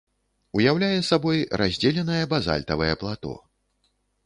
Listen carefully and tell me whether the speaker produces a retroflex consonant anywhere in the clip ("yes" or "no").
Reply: no